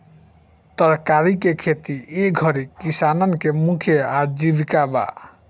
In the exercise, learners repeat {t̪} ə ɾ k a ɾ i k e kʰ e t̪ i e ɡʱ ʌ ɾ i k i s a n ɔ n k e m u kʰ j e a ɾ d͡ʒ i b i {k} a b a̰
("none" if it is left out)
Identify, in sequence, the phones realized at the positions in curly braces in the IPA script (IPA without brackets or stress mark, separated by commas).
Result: t̪, k